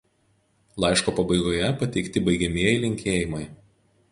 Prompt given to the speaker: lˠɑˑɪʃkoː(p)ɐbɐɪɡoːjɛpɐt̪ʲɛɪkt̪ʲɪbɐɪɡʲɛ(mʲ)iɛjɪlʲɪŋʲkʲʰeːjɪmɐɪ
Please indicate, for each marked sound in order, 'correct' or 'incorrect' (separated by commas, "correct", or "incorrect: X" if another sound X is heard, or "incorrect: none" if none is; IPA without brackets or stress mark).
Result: correct, correct